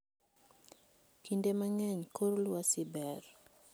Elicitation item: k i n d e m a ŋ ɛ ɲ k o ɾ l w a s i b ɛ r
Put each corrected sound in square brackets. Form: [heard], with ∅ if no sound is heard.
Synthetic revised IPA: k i n d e m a ŋ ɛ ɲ k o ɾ l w a s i b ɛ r